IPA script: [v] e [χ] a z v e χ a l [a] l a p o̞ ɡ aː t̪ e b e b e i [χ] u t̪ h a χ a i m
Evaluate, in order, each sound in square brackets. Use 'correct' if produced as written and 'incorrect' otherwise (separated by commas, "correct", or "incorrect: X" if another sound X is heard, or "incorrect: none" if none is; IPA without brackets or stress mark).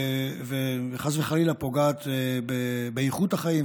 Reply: correct, correct, incorrect: i, correct